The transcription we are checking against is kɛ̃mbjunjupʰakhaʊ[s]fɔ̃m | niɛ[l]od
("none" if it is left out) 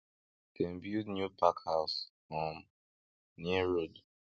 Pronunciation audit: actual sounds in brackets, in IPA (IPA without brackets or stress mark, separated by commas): s, ɹ